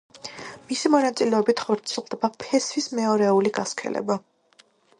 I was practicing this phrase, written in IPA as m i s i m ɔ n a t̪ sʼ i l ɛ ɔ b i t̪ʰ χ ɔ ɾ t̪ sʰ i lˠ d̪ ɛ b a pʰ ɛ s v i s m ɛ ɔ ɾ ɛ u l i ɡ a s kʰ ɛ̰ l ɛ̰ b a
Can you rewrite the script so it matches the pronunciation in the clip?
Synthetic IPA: m i s i m ɔ n a t̪ sʼ i l ɛ ɔ b i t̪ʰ χ ɔ ɾ t̪ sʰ i lˠ d̪ ɛ b a pʰ ɛ s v i s m ɛ ɔ ɾ ɛ u l i ɡ a s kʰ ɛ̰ l ɛ̰ b a